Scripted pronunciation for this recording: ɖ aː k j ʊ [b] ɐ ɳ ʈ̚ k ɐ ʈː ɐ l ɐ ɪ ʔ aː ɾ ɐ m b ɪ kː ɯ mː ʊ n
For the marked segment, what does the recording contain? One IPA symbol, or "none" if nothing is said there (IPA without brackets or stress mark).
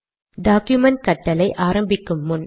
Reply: m